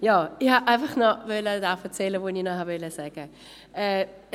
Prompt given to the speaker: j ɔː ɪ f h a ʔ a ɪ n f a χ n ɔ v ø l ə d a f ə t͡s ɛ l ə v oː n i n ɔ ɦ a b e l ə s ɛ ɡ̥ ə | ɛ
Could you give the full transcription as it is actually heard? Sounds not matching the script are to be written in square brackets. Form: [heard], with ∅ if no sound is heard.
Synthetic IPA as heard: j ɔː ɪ [∅] h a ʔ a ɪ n f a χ n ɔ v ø l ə d a f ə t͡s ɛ l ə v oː n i n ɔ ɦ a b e l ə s ɛ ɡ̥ ə | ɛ